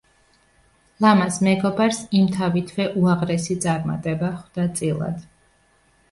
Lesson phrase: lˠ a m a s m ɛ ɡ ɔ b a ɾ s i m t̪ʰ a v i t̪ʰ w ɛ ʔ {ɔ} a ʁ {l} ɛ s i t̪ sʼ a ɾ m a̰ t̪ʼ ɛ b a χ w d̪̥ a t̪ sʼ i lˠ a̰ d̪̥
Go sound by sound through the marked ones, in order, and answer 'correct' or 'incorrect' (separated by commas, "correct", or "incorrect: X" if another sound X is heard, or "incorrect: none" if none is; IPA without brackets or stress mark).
incorrect: u, incorrect: ɾ